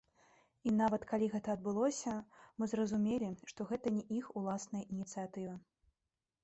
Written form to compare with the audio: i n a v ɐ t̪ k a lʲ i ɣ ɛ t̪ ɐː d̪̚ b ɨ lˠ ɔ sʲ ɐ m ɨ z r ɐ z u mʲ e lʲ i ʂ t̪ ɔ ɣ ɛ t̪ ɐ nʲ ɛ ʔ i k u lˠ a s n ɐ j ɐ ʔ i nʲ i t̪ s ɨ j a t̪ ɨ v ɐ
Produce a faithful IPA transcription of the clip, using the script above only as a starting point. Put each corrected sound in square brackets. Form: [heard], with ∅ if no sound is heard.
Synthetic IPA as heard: i n a v ɐ t̪ k a lʲ i ɣ ɛ t̪ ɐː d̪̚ b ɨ lˠ ɔ sʲ ɐ m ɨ z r ɐ z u mʲ e lʲ i ʂ t̪ ɔ ɣ ɛ t̪ ɐ nʲ ɛ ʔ i [x] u lˠ a s n ɐ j ɐ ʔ i nʲ i t̪ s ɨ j a t̪ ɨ v ɐ

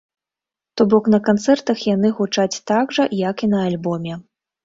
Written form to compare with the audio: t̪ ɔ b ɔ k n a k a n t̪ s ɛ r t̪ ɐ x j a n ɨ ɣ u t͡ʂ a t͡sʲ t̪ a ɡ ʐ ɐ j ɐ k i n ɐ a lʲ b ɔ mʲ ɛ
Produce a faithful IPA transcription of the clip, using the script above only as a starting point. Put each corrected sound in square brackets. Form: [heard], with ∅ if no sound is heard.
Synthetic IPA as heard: t̪ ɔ b ɔ k n [ɐ] k a n t̪ s ɛ r t̪ ɐ x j a n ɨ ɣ u t͡ʂ a t͡sʲ t̪ a ɡ ʐ ɐ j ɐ k i n ɐ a lʲ b ɔ mʲ ɛ

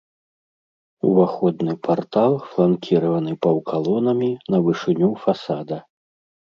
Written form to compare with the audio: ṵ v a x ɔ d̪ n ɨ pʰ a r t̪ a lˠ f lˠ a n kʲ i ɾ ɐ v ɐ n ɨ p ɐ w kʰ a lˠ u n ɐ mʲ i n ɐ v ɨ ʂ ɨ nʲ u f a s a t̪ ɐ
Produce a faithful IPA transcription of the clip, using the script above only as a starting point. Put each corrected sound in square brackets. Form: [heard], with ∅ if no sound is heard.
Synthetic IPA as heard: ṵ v a x ɔ d̪ n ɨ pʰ a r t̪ a lˠ f lˠ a n kʲ i ɾ ɐ v ɐ n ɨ p ɐ w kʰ a lˠ [ɔ] n ɐ mʲ i n ɐ v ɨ ʂ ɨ nʲ u f a s a [d̪] ɐ

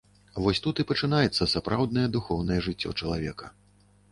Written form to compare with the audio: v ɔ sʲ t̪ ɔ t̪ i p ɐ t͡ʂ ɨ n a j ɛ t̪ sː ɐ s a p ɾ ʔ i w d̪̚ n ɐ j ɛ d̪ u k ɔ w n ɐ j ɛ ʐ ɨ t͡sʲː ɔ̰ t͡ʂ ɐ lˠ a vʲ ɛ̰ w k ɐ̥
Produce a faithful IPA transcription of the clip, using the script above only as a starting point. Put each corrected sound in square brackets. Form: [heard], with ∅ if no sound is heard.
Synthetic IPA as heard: v ɔ sʲ t̪ [u] t̪ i p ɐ t͡ʂ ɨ n a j ɛ t̪ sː ɐ s a p ɾ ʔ [a] w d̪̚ n ɐ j ɛ d̪ u [x] ɔ w n ɐ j ɛ ʐ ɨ t͡sʲː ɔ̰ t͡ʂ ɐ lˠ a vʲ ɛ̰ [∅] k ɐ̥

